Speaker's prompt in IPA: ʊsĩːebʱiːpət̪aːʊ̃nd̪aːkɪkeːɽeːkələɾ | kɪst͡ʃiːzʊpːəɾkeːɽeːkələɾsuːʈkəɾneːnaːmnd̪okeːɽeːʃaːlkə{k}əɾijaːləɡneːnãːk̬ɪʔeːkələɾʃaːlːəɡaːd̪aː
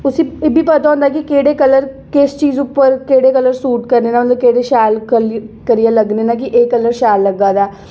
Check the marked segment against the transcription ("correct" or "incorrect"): correct